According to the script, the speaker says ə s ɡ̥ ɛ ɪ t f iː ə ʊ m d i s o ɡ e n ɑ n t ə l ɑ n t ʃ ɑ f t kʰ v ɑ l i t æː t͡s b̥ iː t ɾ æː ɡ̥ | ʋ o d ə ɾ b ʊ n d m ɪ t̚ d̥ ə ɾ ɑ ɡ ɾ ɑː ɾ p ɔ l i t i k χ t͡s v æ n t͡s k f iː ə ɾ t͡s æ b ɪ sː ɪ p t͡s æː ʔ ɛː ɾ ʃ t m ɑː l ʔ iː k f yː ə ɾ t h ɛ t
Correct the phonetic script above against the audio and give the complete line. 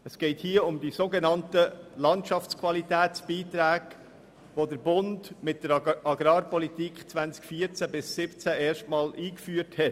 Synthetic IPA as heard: ə s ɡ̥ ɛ ɪ t h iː ə ʊ m d i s o ɡ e n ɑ n t ə l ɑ n t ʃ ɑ f t͡s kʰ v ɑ l i t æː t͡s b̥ iː t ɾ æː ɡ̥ | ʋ o d ə ɾ b ʊ n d m ɪ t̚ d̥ ə ɾ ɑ ɡ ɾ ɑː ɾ p ɔ l i t i k χ t͡s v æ n t͡s k f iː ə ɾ t͡s æ b ɪ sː ɪ p t͡s æ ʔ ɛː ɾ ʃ t m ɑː l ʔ iː k f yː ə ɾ t h ɛ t